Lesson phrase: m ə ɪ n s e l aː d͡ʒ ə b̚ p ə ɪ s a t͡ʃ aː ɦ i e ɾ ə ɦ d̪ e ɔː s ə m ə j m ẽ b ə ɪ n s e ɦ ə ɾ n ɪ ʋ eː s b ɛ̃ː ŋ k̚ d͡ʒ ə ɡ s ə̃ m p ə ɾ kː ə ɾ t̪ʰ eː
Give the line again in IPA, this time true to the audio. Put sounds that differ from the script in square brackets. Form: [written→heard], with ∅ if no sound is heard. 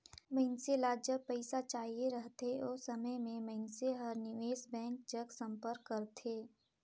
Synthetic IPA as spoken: m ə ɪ n s e l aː d͡ʒ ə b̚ p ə ɪ s a t͡ʃ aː ɦ i e ɾ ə ɦ [d̪→t̪] e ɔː s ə m ə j m ẽ [b→m] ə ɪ n s e ɦ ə ɾ n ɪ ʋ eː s b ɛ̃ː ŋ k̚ d͡ʒ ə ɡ s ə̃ m p ə ɾ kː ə ɾ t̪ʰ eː